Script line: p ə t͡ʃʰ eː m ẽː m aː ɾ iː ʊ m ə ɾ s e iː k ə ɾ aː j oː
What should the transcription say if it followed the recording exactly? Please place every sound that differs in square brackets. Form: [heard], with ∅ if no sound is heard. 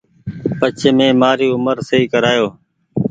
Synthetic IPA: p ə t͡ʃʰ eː m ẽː m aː ɾ iː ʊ m ə ɾ s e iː k ə ɾ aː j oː